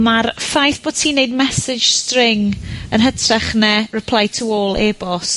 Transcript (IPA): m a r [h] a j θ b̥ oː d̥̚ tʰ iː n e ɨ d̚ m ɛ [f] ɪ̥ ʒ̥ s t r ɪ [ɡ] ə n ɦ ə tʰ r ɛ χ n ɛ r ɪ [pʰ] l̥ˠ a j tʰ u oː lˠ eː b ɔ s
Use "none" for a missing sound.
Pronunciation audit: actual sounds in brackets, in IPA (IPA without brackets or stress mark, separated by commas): f, s, ŋ, pʰ